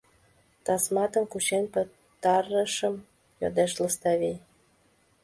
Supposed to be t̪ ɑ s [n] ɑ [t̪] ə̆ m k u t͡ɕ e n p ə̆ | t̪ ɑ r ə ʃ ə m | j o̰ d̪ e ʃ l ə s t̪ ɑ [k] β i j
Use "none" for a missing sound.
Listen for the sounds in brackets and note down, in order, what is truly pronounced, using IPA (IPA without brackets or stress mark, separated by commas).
m, t̪, none